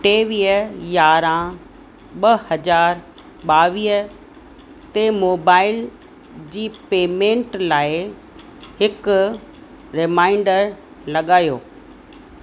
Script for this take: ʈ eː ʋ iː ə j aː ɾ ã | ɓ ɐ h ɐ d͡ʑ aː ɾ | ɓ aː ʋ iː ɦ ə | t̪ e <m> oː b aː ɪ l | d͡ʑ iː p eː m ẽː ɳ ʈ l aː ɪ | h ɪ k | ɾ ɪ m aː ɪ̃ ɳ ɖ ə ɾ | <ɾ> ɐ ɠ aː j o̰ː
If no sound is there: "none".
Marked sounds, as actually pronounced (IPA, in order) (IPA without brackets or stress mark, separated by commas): m, l